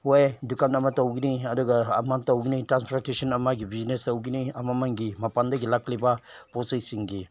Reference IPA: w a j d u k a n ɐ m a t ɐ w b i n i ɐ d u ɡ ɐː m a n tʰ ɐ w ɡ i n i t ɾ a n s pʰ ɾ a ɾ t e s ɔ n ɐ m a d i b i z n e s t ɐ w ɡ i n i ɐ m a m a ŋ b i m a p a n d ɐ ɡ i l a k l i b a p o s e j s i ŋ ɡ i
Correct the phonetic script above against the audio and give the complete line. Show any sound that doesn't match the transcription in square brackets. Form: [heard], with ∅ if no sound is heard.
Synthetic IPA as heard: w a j d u k a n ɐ m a t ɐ w [ɡ] i n i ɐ d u ɡ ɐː m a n [t] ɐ w ɡ i n i t ɾ a n s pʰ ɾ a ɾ t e s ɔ n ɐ m a [ɡ] i b i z n e s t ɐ w ɡ i n i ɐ m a m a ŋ [ɡ] i m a p a n d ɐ ɡ i l a k l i b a p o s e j s i ŋ ɡ i